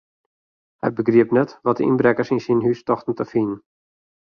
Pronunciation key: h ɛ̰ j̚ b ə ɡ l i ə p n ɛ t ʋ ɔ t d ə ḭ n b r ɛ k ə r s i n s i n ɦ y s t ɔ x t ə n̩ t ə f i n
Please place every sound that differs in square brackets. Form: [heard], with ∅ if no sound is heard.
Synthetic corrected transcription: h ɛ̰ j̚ b ə ɡ [r] i ə p n ɛ t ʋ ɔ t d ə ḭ n b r ɛ k ə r s i n s i n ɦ y s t ɔ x t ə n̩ t ə f i n